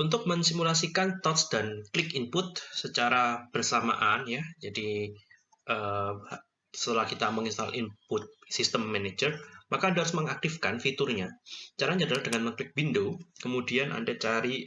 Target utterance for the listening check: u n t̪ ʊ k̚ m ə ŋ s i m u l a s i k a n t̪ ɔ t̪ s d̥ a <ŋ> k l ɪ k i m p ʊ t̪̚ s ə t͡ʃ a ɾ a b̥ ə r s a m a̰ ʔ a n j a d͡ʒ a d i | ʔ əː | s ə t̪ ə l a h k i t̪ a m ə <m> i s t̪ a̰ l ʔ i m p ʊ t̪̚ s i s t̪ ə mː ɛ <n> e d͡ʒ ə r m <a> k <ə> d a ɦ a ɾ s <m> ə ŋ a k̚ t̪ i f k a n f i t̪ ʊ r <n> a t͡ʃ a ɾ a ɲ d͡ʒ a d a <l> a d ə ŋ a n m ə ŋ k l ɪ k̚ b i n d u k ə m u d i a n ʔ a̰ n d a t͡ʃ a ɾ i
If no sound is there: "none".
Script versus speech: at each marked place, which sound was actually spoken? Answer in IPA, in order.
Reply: n, ŋ, n, a, a, m, ɲ, l

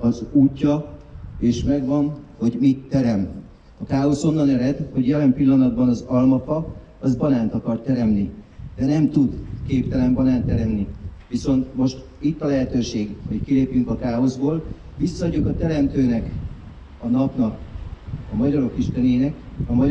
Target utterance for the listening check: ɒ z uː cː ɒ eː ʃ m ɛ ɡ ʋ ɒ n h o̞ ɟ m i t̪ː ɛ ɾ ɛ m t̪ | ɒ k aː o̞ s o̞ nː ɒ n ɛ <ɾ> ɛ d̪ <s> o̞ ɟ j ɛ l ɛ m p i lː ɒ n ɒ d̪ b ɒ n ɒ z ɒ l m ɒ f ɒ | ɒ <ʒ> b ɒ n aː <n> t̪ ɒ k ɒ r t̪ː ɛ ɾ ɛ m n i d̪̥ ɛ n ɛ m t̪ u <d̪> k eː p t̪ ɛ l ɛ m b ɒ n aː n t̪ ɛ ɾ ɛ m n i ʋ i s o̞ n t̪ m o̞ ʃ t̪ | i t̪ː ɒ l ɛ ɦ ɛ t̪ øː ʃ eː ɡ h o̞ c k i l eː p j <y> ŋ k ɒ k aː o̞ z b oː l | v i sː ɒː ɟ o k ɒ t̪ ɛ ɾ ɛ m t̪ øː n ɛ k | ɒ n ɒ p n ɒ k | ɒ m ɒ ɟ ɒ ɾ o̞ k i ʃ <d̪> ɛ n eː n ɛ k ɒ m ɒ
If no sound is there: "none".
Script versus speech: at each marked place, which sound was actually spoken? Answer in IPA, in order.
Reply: ɾ, h, z, n, d̪, y, t̪

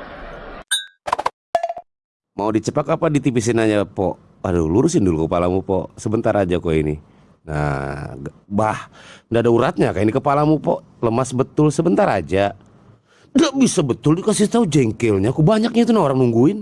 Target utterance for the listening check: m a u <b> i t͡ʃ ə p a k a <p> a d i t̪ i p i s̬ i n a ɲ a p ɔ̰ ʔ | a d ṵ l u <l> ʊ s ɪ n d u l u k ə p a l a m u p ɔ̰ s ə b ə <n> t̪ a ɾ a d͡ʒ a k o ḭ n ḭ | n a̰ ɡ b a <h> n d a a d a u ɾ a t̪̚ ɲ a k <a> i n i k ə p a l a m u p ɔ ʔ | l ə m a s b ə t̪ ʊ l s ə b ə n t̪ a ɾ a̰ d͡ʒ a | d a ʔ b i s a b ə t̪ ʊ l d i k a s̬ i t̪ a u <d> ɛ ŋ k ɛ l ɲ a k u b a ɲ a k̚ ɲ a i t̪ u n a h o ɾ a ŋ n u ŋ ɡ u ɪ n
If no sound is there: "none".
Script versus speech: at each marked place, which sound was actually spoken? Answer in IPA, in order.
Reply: d, p, ɾ, n, h, a, d͡ʒ

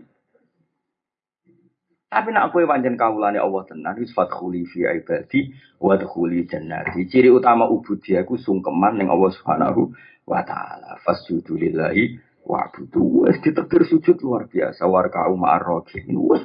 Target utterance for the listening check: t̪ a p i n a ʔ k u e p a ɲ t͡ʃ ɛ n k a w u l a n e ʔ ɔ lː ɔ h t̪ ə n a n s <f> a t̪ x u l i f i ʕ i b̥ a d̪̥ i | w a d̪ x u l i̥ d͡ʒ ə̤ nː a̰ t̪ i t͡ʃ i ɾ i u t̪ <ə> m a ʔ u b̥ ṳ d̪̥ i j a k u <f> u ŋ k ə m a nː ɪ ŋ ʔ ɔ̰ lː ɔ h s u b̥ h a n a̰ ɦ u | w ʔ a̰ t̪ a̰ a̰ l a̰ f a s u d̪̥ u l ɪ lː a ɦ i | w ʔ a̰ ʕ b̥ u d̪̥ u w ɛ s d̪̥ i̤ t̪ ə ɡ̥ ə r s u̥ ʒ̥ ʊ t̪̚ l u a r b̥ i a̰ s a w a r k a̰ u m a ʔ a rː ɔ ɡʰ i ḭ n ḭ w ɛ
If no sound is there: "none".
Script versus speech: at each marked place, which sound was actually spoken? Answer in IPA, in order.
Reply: f, a, s

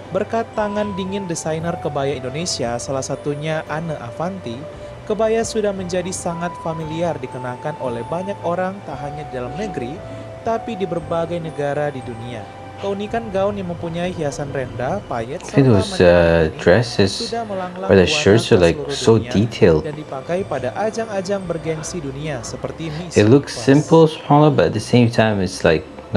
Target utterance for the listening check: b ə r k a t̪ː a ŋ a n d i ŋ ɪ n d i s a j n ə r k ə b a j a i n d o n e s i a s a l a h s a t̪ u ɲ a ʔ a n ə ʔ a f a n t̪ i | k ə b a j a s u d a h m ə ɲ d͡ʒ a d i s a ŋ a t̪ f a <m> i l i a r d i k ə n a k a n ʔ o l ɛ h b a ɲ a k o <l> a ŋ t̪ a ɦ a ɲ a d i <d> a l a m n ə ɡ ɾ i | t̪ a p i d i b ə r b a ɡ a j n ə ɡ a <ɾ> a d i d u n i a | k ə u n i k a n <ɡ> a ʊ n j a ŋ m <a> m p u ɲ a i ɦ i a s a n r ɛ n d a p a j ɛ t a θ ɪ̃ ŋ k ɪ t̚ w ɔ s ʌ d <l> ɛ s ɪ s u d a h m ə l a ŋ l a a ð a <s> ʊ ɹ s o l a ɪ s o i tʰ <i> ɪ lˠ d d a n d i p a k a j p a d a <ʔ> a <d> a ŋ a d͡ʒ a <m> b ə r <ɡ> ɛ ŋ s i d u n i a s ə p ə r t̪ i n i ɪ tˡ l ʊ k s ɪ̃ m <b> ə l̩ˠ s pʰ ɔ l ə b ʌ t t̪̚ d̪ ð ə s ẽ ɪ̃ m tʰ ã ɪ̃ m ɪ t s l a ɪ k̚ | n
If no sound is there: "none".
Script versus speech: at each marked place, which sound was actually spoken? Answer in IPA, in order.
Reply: m, ɾ, d, ɾ, ɡ, ə, ɹ, ʃ, e, ʔ, d͡ʒ, ŋ, ɡ, p

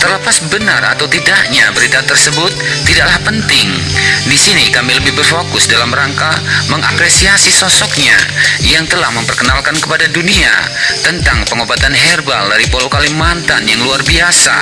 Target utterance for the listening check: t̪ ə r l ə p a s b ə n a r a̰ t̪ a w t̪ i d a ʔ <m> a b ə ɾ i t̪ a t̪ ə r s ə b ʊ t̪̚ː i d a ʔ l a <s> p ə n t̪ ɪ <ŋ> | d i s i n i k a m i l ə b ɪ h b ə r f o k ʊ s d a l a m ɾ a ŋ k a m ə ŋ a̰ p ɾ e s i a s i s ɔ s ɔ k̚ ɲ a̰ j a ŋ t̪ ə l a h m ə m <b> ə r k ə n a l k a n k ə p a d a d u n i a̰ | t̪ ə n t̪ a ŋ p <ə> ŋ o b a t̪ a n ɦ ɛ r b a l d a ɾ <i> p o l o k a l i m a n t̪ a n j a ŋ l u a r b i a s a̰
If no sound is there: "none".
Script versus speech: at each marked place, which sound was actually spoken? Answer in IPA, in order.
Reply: ɲ, h, ŋ, p, ə, i

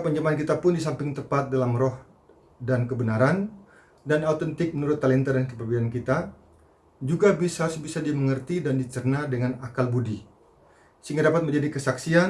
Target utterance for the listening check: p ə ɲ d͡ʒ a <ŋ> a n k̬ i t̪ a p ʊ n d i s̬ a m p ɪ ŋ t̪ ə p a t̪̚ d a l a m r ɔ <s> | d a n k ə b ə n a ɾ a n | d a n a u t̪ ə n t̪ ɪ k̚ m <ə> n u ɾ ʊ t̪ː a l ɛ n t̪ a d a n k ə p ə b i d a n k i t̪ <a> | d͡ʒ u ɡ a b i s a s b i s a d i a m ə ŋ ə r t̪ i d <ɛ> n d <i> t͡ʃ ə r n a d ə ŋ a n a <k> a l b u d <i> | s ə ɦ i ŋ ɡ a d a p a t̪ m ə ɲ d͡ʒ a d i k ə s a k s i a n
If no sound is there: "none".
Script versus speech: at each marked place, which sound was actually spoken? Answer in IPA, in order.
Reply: m, h, ə, a, a, i, k, i

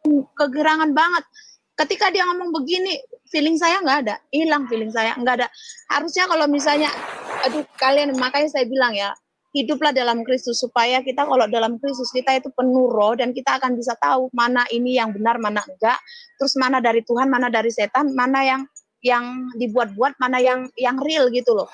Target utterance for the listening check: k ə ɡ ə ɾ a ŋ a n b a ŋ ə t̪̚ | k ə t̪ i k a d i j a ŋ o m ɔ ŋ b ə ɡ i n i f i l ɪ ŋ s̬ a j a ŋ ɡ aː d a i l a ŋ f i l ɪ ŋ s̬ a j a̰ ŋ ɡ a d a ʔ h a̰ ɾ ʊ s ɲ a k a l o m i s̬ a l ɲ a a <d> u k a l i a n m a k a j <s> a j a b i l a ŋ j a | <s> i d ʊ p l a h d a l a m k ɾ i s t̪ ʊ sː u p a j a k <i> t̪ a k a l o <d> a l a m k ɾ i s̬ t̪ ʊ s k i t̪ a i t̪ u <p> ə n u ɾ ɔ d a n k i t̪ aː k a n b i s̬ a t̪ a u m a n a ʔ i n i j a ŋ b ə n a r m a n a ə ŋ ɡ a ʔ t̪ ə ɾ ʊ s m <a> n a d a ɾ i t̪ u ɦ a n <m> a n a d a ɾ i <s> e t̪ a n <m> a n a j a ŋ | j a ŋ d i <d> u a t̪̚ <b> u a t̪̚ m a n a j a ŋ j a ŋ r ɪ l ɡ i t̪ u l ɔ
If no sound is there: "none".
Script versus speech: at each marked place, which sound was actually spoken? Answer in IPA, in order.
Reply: d, s, h, i, d, p, a, m, s, m, b, b

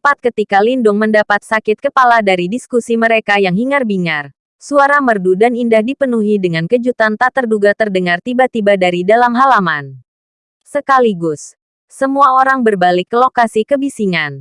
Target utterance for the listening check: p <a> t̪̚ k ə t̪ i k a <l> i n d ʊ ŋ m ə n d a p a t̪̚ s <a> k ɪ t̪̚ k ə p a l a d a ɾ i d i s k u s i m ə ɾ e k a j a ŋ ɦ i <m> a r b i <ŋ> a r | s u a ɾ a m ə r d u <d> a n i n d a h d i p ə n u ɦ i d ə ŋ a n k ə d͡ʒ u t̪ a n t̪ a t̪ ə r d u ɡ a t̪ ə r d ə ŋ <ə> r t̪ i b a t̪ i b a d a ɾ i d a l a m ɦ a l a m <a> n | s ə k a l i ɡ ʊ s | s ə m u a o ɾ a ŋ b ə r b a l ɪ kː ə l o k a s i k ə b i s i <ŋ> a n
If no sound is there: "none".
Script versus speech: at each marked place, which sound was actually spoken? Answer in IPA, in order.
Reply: a, l, a, ŋ, ŋ, d, a, a, ŋ

